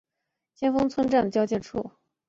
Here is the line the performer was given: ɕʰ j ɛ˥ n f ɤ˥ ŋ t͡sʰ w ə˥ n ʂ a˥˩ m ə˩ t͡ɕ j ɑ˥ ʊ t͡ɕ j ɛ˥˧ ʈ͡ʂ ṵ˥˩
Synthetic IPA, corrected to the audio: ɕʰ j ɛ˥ n f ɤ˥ ŋ t͡sʰ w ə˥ n ʈ͡ʂ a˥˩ n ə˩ t͡ɕ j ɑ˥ ʊ t͡ɕ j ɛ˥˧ ʈ͡ʂʰ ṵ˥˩